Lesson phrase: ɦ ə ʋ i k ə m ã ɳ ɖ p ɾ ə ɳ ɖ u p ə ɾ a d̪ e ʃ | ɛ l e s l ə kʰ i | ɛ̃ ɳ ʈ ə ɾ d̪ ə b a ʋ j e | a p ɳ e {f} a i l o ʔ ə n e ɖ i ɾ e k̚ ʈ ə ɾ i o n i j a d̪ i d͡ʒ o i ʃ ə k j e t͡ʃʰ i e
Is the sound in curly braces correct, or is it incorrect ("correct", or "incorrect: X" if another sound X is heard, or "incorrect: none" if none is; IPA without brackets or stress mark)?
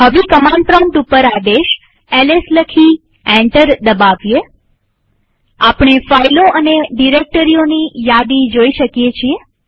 correct